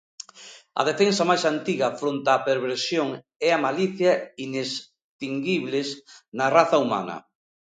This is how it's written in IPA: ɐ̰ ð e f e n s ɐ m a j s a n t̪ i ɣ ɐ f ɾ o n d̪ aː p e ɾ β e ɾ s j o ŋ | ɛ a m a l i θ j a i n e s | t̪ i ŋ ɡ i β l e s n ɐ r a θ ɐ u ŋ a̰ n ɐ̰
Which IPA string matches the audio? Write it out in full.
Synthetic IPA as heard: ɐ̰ ð e f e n s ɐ m a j s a n t̪ i ɣ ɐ f ɾ o n t̪ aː p e ɾ β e ɾ s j o ŋ | ɛ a m a l i θ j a i n e s | t̪ i ŋ ɡ i β l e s n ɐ r a θ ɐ u m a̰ n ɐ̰